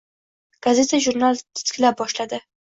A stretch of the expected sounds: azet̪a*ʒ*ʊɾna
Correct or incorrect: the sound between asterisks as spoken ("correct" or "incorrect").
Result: correct